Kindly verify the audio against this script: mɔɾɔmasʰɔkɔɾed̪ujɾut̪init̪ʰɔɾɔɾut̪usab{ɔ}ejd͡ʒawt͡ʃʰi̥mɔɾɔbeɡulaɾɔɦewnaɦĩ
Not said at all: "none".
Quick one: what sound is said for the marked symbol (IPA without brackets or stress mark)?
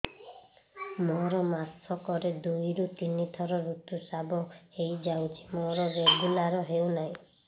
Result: ɔ